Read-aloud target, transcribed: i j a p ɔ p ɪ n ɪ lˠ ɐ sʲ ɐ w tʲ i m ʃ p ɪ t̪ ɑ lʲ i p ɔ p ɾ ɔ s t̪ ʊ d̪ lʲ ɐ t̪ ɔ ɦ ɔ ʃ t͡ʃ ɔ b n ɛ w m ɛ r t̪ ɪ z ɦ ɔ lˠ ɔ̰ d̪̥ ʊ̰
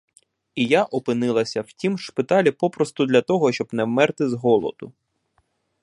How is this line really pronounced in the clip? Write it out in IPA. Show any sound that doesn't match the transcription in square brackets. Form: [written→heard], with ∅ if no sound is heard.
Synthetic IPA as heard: i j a [p→ʔ] ɔ p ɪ n ɪ lˠ ɐ sʲ ɐ w tʲ i m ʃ p ɪ t̪ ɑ lʲ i p ɔ p ɾ ɔ s t̪ ʊ d̪ lʲ ɐ t̪ ɔ ɦ ɔ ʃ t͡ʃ ɔ b n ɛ w m ɛ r t̪ ɪ z ɦ ɔ lˠ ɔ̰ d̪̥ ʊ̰